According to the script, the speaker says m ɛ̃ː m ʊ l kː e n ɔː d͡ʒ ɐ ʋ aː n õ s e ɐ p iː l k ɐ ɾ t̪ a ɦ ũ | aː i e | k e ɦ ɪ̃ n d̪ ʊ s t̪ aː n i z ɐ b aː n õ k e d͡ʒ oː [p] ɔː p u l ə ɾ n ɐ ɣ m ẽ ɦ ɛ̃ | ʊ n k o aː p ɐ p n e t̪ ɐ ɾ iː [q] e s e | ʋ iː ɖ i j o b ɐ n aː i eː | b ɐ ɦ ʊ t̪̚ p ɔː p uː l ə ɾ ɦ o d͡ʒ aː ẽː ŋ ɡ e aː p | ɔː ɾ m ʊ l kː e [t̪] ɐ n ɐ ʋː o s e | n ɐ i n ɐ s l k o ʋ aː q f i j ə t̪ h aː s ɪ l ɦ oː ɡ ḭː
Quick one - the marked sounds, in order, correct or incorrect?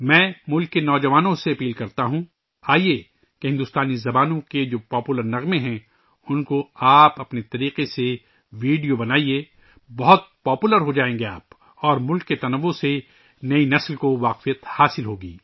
correct, correct, correct

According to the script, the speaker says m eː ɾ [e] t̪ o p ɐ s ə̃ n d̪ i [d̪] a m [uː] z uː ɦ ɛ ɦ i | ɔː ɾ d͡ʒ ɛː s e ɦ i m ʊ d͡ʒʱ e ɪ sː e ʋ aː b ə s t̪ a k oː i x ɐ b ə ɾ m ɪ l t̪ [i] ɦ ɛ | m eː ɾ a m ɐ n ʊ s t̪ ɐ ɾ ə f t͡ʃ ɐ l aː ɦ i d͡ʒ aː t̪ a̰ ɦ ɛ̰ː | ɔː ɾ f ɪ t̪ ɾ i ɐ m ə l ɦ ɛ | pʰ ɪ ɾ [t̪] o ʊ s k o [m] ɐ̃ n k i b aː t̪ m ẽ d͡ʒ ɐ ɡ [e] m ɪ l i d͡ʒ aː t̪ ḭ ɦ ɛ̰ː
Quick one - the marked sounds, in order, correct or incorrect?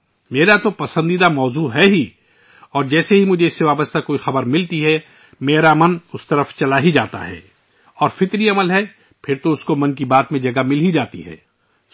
incorrect: a, correct, incorrect: ɔː, correct, correct, correct, incorrect: a

